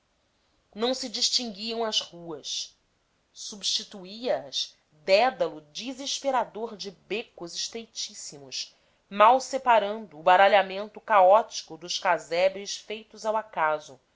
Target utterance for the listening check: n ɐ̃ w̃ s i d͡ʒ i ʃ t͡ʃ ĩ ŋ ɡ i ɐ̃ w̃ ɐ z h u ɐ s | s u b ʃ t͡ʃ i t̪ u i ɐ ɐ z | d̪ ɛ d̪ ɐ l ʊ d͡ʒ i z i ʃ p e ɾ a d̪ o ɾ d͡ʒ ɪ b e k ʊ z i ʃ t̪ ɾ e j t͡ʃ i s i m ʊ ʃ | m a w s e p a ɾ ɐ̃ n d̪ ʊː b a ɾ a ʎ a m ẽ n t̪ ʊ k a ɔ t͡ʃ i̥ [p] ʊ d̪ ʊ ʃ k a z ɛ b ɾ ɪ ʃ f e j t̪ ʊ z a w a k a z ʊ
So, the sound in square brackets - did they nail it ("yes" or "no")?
no